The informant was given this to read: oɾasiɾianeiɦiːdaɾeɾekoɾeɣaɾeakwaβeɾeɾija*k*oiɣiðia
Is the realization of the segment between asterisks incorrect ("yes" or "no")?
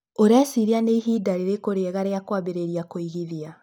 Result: no